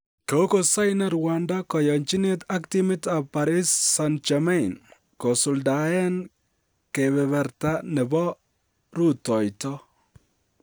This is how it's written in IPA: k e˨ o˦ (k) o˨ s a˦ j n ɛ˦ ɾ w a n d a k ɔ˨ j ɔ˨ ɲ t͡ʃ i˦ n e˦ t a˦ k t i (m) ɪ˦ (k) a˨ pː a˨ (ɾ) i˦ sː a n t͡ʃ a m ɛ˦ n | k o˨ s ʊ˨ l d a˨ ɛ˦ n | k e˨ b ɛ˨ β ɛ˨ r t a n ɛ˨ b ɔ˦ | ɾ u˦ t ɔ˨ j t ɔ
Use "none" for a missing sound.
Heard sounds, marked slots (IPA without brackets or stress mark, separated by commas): k, m, t, ɾ